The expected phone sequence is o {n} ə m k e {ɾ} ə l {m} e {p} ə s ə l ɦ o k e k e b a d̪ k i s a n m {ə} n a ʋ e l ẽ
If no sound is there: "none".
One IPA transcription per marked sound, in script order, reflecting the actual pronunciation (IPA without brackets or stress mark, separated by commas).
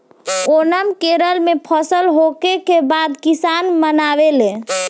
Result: n, ɾ, m, pʰ, ə